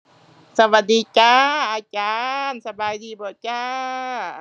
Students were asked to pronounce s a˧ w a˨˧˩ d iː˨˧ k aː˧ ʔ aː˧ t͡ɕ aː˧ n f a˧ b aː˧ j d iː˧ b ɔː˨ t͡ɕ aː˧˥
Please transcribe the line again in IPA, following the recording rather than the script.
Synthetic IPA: s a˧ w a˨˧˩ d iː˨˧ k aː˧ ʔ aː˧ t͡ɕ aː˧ n s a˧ b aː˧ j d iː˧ b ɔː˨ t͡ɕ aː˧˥